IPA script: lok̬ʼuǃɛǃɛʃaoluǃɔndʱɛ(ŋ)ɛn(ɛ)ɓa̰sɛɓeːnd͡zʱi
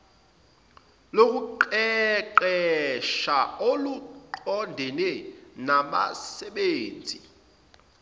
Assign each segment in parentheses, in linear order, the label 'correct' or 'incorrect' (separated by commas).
incorrect, incorrect